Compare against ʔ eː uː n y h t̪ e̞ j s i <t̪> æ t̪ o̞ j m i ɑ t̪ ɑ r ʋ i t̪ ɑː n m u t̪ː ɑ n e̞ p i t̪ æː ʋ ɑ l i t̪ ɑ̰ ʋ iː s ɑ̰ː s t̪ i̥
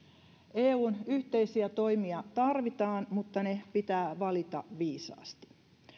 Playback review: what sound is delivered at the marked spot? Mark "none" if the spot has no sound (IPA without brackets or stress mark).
none